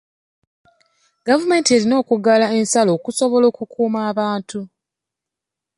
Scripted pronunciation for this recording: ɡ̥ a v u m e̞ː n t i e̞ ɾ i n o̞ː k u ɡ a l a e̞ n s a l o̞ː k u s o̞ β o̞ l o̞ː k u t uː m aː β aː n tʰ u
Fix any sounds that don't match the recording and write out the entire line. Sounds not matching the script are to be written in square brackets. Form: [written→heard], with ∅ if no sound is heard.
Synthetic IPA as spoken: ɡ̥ a v u m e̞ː n t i e̞ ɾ i n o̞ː k u ɡ a l a e̞ n s a l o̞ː k u s o̞ β o̞ l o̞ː k u [t→k] uː m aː β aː n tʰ u